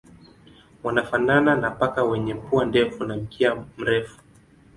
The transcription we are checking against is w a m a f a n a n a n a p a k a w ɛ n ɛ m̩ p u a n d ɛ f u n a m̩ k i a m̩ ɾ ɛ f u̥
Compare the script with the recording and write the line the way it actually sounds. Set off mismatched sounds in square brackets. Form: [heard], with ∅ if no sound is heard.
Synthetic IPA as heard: w a [n] a f a n a n a n a p a k a w ɛ [ɲ] ɛ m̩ p u a n d ɛ f u n a m̩ k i a m̩ ɾ ɛ f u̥